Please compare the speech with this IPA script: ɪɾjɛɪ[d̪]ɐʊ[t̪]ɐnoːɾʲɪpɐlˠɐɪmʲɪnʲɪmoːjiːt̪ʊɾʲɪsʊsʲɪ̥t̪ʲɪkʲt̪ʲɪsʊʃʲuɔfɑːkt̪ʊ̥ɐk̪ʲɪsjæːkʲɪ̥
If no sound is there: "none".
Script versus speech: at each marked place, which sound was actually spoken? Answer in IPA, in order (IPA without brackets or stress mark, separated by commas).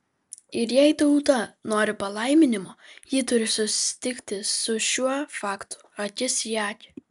t̪, t̪